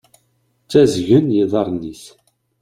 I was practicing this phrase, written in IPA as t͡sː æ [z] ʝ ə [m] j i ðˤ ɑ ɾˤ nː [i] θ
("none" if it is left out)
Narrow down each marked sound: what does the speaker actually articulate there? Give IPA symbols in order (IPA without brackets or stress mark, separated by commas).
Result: z, n, i